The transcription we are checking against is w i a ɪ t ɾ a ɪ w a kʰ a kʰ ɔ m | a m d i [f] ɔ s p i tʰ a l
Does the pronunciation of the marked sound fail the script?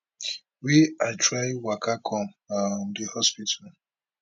yes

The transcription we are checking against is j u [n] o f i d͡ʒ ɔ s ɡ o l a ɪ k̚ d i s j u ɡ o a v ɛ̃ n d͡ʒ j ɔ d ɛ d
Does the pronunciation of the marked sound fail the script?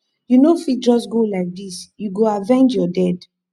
no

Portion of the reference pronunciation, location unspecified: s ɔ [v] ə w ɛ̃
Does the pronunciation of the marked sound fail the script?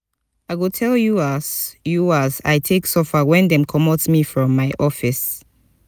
yes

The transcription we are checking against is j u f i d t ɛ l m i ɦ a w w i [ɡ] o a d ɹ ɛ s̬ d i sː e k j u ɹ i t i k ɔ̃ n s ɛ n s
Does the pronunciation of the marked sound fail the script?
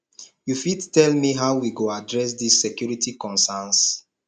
no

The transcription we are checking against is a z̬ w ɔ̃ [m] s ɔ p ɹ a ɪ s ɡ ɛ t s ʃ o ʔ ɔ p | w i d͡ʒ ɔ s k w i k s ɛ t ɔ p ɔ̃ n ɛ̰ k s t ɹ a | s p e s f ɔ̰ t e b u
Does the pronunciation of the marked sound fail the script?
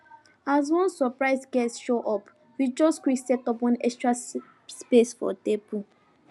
yes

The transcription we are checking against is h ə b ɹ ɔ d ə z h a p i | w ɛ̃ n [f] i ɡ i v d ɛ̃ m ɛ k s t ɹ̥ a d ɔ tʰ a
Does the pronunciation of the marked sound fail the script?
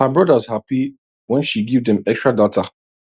yes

